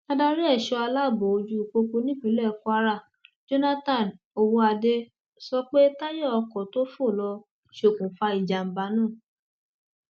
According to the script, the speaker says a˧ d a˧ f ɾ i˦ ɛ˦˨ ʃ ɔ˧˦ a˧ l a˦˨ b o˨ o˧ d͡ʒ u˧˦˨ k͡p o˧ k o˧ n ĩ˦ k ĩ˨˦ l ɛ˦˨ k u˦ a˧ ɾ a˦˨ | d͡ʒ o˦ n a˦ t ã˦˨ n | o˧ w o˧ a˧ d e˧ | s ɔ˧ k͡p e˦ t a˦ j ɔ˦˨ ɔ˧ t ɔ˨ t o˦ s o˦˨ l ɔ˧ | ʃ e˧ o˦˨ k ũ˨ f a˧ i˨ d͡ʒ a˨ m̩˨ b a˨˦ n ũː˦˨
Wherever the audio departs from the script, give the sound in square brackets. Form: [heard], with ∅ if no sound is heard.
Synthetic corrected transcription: a˧ d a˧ [∅] ɾ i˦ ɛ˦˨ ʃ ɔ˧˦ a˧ l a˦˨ b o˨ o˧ d͡ʒ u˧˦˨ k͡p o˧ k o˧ n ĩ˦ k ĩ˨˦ l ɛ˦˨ k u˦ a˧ ɾ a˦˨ | d͡ʒ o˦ n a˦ t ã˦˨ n | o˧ w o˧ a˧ d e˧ | s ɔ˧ k͡p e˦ t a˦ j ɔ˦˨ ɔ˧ [k] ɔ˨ t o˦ [f] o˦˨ l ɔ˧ | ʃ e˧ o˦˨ k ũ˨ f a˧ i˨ d͡ʒ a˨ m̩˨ b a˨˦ n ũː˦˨